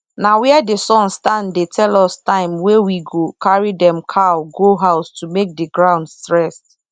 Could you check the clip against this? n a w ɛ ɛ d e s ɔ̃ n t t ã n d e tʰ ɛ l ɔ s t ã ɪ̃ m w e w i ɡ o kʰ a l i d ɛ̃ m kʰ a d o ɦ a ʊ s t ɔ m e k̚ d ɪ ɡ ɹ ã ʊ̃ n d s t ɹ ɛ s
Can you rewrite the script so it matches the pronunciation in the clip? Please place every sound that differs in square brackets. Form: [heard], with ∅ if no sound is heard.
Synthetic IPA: n a w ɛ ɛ d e s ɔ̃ n [s] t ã n d e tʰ ɛ l ɔ s t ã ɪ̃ m w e w i ɡ o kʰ a [ɹ] i d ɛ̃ m kʰ a [ɡ] o ɦ a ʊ s t [u] m e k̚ d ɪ ɡ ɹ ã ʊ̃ n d s t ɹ ɛ s

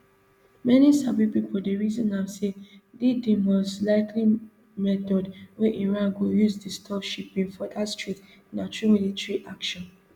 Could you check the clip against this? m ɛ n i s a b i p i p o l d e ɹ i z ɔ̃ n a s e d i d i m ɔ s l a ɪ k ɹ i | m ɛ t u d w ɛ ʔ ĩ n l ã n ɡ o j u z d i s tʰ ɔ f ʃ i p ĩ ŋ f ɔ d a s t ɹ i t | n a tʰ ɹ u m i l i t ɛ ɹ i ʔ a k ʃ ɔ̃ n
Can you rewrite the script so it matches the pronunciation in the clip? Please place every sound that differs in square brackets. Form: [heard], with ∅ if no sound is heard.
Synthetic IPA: m ɛ n i s a b i p i p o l d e ɹ i z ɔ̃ n a s e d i d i m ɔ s l a ɪ k [l] i | m ɛ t [ɔ] d w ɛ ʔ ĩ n [ɹ] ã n ɡ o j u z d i s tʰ ɔ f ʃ i p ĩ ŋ f ɔ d a s t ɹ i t | n a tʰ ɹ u m i l i t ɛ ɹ i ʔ a k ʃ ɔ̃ n

